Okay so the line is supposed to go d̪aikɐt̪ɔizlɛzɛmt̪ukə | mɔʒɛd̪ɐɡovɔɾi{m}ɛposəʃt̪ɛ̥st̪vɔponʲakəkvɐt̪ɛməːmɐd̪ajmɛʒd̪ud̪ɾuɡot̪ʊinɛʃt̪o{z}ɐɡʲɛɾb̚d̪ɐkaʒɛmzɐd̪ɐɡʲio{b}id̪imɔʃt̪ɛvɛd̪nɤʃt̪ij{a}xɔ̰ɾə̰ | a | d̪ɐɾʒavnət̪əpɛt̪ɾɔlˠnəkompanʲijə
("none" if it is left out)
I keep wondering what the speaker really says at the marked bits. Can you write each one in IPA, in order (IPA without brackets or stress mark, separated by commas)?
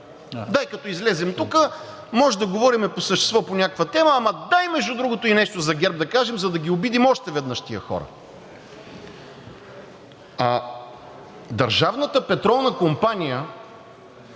m, z, b, ə